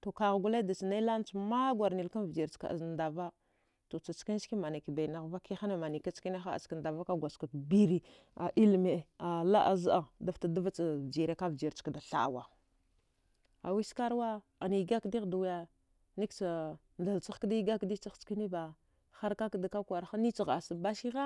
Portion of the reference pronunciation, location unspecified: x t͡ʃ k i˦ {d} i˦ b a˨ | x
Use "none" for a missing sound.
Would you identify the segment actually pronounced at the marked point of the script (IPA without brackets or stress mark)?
n